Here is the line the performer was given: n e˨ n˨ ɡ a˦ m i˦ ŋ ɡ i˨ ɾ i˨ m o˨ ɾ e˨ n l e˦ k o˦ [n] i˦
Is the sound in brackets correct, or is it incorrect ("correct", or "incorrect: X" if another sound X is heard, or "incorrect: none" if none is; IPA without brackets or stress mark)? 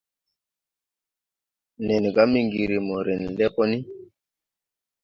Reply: correct